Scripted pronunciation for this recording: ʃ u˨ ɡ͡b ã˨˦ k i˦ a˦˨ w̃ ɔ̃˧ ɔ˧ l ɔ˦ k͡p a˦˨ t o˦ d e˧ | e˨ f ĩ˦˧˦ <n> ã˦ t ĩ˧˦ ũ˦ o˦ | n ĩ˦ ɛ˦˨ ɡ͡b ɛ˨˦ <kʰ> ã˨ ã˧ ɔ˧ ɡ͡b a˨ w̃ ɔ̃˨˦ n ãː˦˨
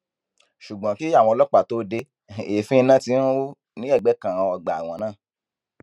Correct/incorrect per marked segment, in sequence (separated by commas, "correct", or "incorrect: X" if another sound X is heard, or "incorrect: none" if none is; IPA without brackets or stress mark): correct, incorrect: k